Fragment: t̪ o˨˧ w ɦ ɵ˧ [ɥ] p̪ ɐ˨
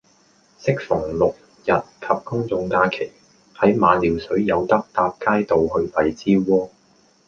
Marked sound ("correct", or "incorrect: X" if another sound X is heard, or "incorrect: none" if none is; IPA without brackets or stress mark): correct